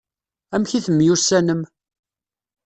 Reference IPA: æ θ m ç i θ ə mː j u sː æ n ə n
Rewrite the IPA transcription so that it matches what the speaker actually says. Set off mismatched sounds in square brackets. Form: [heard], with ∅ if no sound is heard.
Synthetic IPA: æ [∅] m ç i θ ə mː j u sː æ n ə [m]